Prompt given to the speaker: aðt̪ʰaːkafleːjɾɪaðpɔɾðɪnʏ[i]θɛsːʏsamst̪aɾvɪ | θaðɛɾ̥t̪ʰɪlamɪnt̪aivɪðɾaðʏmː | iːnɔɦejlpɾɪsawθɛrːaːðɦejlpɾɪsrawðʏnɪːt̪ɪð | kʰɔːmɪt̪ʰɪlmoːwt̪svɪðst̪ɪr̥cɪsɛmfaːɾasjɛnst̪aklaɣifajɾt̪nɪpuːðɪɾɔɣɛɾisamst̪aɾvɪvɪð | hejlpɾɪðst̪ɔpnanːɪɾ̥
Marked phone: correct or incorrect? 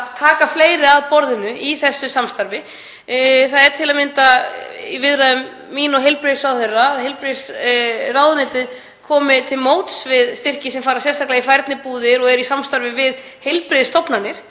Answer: correct